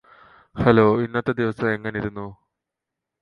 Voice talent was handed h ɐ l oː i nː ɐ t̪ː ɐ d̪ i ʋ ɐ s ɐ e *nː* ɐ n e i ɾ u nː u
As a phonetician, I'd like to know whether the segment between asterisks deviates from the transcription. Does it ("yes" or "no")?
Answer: yes